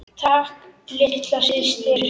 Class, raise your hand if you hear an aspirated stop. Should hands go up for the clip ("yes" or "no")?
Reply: yes